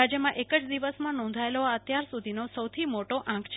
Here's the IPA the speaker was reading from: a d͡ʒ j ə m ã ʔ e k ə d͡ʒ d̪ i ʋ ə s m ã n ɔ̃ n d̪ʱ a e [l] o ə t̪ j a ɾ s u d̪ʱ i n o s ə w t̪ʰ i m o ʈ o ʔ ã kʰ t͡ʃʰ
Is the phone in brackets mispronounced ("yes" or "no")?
no